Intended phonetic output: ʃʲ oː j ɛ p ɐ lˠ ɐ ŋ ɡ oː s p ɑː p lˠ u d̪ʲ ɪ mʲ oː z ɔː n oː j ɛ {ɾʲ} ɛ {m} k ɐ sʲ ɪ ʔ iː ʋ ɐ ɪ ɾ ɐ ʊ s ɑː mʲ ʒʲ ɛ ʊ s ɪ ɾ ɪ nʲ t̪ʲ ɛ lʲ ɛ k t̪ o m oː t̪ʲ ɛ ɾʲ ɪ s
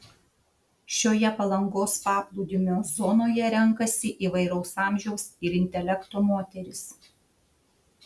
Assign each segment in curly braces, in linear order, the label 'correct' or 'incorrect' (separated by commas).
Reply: correct, incorrect